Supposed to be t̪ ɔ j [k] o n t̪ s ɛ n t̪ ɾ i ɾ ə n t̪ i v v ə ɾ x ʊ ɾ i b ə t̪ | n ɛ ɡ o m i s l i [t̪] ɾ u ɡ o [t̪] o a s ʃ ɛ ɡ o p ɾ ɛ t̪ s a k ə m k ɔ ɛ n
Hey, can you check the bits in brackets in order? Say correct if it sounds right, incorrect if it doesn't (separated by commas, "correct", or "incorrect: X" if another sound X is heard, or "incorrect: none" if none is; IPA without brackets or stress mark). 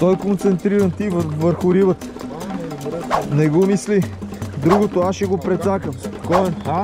correct, incorrect: d̪, correct